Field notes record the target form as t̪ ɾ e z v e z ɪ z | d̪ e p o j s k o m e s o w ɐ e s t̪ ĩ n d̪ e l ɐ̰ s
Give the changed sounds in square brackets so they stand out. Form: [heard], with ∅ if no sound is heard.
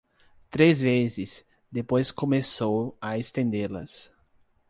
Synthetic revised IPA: t̪ ɾ e z v e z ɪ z | d̪ e p o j s k o m e s o w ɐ e s t̪ [ẽ] n d̪ e l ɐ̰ s